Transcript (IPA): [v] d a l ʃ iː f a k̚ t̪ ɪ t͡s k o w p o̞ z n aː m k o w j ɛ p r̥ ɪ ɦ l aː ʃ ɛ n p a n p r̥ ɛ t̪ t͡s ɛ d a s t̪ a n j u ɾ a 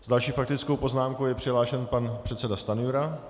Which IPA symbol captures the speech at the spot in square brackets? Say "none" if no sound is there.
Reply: z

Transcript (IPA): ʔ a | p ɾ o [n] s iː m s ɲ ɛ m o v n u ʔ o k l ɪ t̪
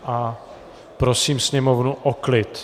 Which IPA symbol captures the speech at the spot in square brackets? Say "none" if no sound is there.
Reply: none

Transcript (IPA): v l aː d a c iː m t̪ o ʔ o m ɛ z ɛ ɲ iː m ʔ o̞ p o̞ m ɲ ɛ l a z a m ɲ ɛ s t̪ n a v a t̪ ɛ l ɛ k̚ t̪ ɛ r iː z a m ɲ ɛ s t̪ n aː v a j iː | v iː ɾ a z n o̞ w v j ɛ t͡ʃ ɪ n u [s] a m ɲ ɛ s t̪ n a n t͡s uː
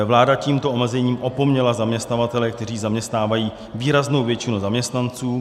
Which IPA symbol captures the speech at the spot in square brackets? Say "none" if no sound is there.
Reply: z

